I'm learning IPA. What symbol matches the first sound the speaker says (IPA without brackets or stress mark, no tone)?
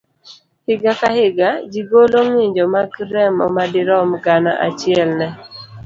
h